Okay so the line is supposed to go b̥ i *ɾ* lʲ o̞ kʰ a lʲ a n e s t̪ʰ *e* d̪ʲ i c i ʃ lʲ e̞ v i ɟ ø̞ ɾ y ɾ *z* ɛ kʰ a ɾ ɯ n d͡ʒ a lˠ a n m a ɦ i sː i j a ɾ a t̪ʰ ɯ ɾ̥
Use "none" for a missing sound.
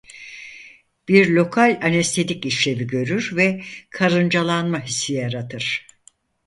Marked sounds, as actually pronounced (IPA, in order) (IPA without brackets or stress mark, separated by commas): ɾ, e, v